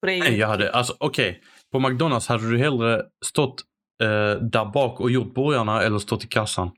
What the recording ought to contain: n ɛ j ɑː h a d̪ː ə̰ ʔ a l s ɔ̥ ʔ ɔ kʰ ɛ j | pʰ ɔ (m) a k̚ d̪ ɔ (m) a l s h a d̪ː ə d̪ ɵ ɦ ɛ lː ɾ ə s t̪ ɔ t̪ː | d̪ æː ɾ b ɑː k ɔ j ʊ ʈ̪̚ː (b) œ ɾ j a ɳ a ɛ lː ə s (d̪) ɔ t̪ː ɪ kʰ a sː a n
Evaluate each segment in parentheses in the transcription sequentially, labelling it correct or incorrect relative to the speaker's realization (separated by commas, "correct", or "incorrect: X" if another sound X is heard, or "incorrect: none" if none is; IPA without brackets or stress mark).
correct, incorrect: n, correct, incorrect: t̪